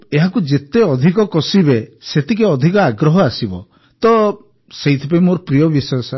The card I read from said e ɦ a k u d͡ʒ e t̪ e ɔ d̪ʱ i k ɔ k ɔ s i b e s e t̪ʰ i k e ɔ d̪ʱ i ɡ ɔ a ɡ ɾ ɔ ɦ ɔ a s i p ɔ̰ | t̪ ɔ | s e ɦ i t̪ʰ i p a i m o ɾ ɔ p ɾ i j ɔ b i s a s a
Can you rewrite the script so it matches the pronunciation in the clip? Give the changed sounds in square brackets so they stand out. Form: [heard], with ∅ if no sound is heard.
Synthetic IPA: e ɦ a k u d͡ʒ e t̪ e ɔ d̪ʱ i k ɔ k ɔ s i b e s e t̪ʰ i k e ɔ d̪ʱ i [k] ɔ a ɡ ɾ ɔ ɦ ɔ a s i [b] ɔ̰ | t̪ ɔ | s e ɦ i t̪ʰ i p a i m o ɾ ɔ p ɾ i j ɔ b i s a s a